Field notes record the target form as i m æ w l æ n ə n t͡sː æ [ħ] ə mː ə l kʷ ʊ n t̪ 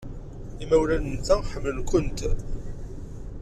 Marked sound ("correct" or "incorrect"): correct